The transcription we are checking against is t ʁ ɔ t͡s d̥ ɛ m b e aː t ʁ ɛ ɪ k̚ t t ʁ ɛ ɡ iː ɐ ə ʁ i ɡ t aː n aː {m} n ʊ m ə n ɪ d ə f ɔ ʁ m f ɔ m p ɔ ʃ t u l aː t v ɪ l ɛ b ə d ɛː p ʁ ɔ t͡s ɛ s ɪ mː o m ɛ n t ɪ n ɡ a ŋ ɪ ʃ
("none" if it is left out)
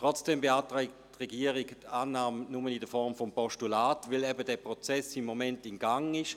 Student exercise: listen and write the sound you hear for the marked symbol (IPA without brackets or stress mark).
m